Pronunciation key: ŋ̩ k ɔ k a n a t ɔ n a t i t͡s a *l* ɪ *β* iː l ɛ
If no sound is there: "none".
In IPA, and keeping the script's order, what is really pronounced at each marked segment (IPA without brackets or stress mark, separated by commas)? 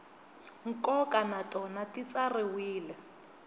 r, w